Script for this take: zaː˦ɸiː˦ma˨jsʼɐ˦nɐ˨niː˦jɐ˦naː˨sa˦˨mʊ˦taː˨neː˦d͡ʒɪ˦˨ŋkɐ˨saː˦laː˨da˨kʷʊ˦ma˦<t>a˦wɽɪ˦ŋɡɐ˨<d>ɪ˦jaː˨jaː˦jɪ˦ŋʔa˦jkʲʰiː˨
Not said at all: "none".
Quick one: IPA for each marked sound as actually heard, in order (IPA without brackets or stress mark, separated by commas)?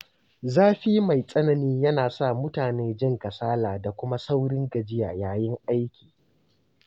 s, d͡ʒ